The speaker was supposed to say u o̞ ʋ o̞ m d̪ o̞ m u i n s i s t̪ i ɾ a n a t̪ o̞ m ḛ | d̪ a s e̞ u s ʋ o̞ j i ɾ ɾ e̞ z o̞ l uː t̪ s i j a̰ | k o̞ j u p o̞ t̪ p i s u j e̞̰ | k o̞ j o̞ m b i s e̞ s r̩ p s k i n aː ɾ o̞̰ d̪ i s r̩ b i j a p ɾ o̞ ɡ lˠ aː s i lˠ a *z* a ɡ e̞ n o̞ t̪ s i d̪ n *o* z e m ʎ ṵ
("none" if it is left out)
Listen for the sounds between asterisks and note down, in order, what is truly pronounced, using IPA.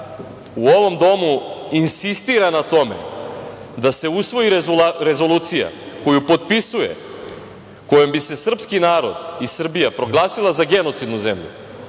z, u

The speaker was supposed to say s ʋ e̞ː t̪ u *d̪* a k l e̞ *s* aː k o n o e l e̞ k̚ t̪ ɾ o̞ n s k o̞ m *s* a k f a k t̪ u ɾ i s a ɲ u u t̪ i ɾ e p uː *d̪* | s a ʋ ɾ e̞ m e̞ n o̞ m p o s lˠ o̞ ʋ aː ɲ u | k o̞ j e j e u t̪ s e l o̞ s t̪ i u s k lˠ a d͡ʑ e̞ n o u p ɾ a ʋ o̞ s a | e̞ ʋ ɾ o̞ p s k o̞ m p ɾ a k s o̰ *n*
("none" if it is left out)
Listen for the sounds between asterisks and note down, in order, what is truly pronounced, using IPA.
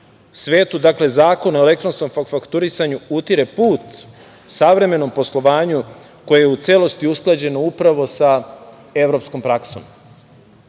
d̪, z, f, t̪, m

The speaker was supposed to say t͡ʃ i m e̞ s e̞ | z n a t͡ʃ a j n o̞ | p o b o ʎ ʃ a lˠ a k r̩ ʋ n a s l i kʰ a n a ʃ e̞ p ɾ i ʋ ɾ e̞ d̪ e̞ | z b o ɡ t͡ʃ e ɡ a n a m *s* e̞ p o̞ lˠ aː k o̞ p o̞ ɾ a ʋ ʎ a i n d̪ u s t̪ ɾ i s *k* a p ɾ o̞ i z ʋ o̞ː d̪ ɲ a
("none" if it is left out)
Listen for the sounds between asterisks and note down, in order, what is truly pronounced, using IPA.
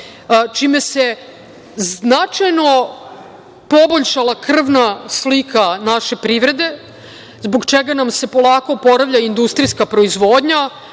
s, k

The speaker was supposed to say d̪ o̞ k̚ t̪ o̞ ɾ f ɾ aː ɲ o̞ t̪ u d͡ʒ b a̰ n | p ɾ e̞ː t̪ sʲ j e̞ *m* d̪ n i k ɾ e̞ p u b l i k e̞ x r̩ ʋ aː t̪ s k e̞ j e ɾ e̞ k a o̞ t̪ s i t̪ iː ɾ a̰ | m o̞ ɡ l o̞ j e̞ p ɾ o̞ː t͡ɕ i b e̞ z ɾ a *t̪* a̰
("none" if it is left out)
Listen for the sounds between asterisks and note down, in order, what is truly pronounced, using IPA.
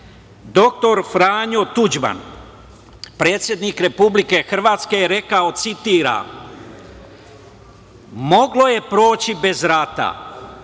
none, t̪

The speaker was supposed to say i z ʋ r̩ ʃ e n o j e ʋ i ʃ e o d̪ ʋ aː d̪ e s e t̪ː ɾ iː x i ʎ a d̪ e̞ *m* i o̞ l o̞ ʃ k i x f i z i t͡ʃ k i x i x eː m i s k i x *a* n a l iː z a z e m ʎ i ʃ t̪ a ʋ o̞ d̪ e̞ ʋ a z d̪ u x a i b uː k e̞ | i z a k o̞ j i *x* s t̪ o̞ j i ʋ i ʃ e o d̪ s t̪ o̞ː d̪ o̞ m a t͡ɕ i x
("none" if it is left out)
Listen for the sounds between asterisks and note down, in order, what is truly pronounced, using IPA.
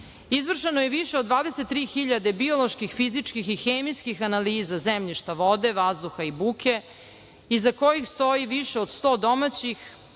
b, a, x

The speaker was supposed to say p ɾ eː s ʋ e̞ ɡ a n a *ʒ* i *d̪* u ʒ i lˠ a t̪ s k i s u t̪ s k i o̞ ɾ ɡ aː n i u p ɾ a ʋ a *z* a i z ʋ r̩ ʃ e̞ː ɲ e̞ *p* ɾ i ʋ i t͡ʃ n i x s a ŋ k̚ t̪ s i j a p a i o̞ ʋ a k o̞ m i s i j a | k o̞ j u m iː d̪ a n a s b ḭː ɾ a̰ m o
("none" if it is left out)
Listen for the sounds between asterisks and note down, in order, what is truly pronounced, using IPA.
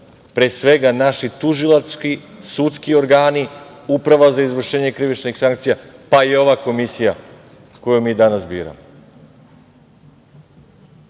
ʃ, t̪, z, k

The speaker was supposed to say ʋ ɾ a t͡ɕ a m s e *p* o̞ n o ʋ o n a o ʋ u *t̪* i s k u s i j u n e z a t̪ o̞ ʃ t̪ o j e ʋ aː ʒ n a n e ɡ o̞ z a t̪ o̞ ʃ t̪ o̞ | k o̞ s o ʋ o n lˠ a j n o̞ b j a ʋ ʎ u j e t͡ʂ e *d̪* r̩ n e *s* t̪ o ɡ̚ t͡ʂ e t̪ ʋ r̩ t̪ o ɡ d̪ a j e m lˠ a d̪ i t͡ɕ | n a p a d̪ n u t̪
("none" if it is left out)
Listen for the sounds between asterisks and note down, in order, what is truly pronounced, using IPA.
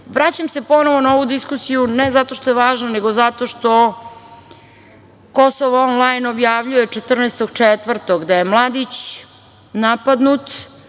p, d̪, t̪, s

